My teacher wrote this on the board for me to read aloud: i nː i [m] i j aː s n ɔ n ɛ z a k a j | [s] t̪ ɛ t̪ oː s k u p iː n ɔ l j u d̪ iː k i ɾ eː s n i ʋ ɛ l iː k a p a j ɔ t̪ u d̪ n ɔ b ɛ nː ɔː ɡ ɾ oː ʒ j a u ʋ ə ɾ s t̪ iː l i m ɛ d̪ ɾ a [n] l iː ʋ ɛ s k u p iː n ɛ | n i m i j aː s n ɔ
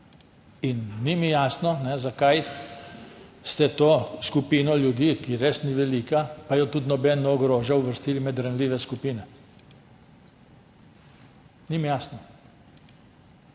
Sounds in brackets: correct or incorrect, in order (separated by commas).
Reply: correct, correct, correct